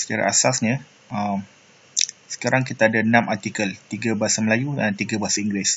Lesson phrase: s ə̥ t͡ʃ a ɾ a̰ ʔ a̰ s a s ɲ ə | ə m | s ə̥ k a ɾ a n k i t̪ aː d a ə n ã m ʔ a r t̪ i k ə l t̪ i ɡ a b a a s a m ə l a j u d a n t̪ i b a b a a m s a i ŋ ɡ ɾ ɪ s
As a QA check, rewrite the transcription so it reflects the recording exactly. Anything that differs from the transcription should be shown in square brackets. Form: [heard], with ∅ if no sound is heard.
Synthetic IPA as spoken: s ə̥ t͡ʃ a ɾ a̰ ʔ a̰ s a s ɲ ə | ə m | s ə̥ k a ɾ a [ŋ] k i t̪ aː d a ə n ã m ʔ a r t̪ i k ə l t̪ i ɡ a b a a s a m ə l a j u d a n t̪ i [ɡ] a b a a [∅] s a i ŋ ɡ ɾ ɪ s